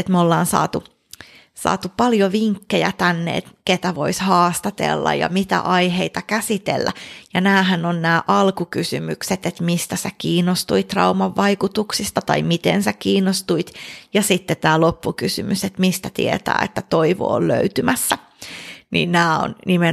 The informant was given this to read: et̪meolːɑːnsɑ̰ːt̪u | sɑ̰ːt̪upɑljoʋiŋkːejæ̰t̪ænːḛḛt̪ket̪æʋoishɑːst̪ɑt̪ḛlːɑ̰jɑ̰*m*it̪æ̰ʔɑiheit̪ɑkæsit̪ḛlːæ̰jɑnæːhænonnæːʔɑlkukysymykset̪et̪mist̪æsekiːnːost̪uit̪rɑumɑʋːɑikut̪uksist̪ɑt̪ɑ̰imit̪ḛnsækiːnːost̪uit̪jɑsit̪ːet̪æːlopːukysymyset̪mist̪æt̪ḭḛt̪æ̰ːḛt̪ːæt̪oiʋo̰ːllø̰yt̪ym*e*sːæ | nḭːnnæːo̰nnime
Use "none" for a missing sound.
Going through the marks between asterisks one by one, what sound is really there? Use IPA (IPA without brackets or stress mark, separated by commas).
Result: m, æ